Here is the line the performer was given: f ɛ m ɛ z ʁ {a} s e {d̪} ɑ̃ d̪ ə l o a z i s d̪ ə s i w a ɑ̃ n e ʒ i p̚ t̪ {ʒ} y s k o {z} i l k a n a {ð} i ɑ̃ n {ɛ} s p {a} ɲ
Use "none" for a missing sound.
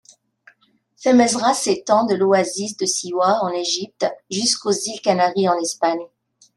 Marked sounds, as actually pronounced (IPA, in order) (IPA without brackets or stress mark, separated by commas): a, t̪, ʒ, z, ʁ, ɛ, a